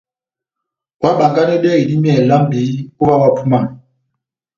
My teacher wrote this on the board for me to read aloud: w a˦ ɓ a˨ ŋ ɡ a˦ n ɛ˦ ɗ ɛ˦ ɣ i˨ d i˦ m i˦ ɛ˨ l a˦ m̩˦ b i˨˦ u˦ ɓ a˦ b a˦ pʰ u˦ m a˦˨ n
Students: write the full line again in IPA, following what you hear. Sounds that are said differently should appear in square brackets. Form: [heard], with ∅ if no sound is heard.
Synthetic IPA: w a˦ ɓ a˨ ŋ ɡ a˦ n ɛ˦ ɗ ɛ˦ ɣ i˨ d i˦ m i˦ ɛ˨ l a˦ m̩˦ b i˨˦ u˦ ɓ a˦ [w] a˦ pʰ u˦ m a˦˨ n

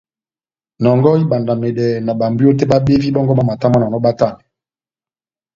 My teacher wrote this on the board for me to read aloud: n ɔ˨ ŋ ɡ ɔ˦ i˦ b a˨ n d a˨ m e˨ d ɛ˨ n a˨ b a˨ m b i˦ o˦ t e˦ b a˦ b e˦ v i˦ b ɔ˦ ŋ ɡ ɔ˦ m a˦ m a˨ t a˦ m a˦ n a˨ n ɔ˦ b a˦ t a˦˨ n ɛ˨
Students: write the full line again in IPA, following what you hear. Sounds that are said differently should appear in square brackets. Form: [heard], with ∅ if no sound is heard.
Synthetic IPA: n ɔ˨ ŋ ɡ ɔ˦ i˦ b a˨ n d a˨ m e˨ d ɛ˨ n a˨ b a˨ m b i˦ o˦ t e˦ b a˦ b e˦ v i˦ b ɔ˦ ŋ ɡ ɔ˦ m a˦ m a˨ t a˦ m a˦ n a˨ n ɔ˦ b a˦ t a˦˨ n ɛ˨

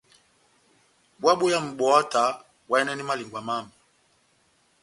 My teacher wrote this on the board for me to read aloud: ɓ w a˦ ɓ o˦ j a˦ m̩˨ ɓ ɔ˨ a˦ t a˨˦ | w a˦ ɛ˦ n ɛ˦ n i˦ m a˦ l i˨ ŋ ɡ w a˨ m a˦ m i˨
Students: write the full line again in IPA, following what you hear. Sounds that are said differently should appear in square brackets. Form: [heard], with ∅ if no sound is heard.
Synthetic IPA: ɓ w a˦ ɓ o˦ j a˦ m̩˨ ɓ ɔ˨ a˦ t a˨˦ | w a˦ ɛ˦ n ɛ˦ n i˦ m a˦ l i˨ ŋ ɡ w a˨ m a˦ m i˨

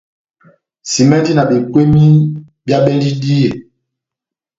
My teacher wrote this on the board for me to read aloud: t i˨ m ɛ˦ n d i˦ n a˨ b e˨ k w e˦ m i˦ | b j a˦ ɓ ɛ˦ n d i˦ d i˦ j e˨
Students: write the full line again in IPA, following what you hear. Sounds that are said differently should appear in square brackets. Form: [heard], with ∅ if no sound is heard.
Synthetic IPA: [s] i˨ m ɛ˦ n d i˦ n a˨ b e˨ k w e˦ m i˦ | b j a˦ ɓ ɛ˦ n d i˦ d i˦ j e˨

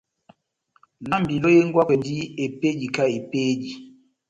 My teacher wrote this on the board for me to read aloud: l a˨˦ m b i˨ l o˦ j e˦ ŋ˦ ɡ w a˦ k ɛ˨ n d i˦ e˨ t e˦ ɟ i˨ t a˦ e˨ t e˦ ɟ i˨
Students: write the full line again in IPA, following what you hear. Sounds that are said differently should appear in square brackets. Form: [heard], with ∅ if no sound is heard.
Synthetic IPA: l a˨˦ m b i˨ l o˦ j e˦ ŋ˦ ɡ w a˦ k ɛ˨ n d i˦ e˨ [p] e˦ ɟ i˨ [k] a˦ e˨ [p] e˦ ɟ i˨

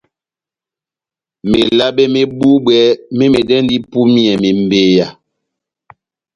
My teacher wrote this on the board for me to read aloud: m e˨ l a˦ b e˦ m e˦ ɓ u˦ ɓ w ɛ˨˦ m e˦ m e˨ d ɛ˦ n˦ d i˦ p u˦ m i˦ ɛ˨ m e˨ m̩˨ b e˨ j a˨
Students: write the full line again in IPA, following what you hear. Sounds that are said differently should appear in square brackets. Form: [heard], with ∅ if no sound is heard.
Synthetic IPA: m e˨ l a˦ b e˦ m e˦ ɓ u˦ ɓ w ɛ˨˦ m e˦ m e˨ d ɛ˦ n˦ d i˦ p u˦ m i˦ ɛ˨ m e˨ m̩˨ b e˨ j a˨

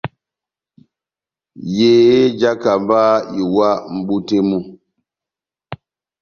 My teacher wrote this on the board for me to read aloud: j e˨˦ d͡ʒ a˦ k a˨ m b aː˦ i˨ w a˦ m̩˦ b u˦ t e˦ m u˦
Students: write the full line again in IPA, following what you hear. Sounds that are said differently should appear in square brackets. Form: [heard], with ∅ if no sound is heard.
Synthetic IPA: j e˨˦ d͡ʒ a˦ k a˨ m b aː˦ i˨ w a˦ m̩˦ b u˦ t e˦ m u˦

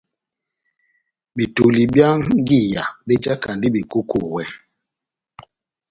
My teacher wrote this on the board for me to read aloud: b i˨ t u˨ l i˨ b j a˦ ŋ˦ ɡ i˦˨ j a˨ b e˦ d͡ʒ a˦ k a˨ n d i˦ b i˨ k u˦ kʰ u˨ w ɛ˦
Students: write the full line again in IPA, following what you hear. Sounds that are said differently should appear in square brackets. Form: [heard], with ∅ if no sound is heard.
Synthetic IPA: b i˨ t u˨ l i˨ b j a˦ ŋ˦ ɡ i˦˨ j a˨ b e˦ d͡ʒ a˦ k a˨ n d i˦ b i˨ k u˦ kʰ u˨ w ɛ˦

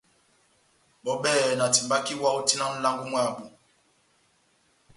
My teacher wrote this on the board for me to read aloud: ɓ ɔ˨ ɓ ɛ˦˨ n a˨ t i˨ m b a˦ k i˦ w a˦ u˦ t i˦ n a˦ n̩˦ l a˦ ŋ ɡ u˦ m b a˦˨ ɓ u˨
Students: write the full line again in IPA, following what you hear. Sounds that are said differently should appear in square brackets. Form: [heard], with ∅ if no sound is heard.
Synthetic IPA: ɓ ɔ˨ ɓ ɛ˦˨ n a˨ t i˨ m b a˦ k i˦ w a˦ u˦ t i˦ n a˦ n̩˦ l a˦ ŋ ɡ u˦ m [w] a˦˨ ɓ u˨

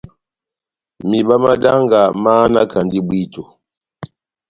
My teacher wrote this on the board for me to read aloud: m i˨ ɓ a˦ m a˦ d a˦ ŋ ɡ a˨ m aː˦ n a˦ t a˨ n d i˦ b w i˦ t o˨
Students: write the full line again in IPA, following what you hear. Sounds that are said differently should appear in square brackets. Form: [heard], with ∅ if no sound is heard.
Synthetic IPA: m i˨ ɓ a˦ m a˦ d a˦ ŋ ɡ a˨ m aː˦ n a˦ [k] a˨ n d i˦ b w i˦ t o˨

